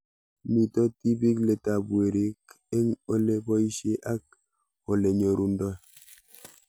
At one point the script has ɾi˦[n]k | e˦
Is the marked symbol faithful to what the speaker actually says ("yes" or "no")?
no